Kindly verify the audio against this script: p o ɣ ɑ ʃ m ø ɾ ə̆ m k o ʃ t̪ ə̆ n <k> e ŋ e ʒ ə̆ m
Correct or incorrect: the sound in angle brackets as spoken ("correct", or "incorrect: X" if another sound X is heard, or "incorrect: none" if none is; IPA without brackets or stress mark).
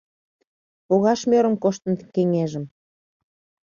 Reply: correct